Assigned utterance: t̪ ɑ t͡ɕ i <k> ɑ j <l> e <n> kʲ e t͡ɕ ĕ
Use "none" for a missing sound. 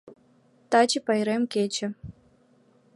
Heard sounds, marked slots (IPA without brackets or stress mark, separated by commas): p, ɾ, m